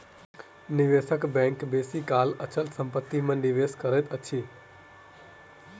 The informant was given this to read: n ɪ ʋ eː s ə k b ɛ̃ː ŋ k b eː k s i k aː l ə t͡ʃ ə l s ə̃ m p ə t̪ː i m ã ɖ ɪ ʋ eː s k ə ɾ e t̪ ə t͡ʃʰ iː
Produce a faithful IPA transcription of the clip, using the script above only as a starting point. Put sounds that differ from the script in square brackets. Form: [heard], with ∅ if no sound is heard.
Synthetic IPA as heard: n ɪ ʋ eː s ə k b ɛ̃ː ŋ k b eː [∅] s i k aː l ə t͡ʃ ə l s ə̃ m p ə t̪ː i m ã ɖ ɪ ʋ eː s k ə ɾ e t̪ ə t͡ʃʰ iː

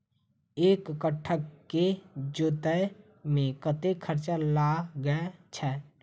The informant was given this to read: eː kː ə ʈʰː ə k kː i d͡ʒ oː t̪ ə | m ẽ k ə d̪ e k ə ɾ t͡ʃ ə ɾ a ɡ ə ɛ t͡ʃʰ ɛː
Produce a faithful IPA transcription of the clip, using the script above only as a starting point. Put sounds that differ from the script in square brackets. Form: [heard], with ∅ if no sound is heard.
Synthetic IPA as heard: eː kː ə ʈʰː ə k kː [e] d͡ʒ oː t̪ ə | m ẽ k ə [t̪] e [kʰ] ə ɾ t͡ʃ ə [l] a ɡ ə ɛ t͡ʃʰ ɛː

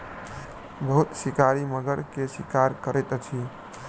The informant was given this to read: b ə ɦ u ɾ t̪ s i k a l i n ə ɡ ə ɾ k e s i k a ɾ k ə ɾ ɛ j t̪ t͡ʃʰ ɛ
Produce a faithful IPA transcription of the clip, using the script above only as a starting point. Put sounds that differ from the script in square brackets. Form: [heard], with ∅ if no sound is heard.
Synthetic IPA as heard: b ə ɦ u [∅] t̪ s i k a [ɾ] i [m] ə ɡ ə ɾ k e s i k a ɾ k ə ɾ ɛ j t̪ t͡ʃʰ [i]

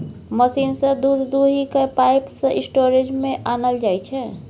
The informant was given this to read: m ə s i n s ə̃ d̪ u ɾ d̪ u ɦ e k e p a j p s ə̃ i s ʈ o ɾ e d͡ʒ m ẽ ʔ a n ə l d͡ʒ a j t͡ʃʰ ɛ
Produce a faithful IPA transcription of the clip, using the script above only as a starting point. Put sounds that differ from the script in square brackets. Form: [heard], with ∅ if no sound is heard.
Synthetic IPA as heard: m ə s i n s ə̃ d̪ u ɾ d̪ u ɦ [i] k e p a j p s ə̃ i s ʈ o ɾ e d͡ʒ m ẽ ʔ a n ə l d͡ʒ a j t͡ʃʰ ɛ

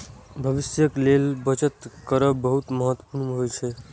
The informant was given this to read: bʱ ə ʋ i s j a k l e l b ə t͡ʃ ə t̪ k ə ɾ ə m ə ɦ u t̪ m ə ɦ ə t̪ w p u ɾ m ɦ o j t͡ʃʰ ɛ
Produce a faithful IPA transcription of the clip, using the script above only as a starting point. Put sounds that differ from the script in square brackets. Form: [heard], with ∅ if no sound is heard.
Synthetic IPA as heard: bʱ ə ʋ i s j [ə] k l e l b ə t͡ʃ ə t̪ k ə ɾ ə [b] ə ɦ u t̪ m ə ɦ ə t̪ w p u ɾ m ɦ o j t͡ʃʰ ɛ

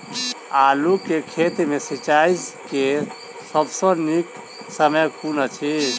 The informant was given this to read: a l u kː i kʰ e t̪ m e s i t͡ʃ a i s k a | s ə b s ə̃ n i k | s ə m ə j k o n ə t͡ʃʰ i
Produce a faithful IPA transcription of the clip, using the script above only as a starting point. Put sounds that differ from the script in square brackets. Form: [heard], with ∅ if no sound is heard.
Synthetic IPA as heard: a l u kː [e] kʰ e t̪ m e s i t͡ʃ a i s k [e] | s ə b s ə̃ n i k | s ə m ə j k [u] n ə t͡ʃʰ i

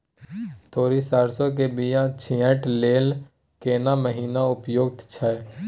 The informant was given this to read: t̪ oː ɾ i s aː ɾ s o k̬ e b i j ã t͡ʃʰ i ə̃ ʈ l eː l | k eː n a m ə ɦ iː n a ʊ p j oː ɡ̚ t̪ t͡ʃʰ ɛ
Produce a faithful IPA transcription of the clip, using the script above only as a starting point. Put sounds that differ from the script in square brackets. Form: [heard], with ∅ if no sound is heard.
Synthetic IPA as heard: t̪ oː ɾ i s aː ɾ s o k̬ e b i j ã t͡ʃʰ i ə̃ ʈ l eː l | k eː n a m ə ɦ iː n a ʊ p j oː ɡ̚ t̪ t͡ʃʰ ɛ

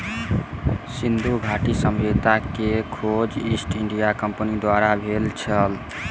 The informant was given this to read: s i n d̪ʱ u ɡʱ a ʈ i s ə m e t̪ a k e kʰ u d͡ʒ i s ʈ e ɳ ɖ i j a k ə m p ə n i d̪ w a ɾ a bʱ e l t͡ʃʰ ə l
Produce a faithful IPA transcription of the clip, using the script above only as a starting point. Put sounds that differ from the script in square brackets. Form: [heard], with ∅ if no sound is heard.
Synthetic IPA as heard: s i n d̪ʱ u ɡʱ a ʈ i s ə m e t̪ a k e kʰ [o] d͡ʒ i s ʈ [i] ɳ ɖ i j a k ə m p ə n i d̪ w a ɾ a bʱ e l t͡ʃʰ ə l

